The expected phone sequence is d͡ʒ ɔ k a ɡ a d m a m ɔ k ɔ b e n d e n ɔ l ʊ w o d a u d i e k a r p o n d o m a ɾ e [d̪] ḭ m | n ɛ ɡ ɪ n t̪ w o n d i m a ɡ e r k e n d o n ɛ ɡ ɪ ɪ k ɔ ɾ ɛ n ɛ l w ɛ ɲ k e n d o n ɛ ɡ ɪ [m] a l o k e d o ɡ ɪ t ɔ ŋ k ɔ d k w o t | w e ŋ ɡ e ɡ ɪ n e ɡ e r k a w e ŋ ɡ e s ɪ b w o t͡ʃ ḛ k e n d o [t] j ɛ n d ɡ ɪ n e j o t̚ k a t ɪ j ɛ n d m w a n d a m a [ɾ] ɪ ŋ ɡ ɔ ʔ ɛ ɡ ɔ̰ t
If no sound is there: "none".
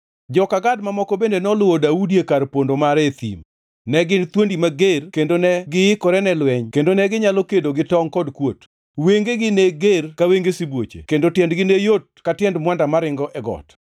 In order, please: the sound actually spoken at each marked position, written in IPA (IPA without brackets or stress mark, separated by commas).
t̪, ɲ, t, ɾ